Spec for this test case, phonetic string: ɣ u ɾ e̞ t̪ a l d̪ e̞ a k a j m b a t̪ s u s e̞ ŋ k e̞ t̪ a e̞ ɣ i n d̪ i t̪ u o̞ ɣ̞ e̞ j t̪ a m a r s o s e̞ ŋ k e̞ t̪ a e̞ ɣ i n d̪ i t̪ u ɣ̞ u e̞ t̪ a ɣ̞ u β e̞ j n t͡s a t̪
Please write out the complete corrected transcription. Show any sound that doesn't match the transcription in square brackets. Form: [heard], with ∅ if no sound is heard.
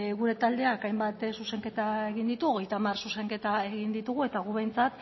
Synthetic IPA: ɣ u ɾ e̞ t̪ a l d̪ e̞ a k a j m b a t̪ s u s e̞ ŋ k e̞ t̪ a e̞ ɣ i n d̪ i t̪ u o̞ ɣ̞ e̞ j t̪ a m a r s [u] s e̞ ŋ k e̞ t̪ a e̞ ɣ i n d̪ i t̪ u ɣ̞ u e̞ t̪ a ɣ̞ u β e̞ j n t͡s a t̪